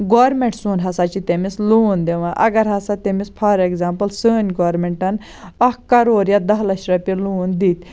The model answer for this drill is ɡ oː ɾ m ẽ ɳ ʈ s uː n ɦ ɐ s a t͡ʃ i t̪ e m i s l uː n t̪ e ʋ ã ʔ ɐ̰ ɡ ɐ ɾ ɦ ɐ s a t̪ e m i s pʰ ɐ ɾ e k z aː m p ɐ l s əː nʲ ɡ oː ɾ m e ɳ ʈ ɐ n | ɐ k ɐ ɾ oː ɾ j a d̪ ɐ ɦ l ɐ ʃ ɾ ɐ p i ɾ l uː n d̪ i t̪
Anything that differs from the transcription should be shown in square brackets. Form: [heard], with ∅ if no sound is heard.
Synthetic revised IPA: ɡ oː ɾ m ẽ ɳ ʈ s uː n ɦ ɐ s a t͡ʃ i t̪ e m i s l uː n [d̪] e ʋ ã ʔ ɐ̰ ɡ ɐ ɾ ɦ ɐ s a t̪ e m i s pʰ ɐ ɾ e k z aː m p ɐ l s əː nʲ ɡ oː ɾ m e ɳ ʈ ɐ n | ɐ k ɐ ɾ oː ɾ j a d̪ ɐ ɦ l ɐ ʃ ɾ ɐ p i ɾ l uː n d̪ i t̪